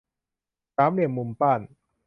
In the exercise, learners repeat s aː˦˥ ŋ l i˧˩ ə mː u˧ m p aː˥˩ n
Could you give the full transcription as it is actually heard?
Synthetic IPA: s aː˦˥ m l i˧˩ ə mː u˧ m p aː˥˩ n